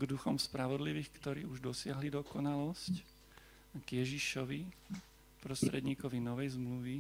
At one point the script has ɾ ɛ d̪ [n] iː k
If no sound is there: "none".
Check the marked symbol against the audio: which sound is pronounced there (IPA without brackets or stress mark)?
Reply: ɲ